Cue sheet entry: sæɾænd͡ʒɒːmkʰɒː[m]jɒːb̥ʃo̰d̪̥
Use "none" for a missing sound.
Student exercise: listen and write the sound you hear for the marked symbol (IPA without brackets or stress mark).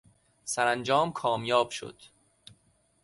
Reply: m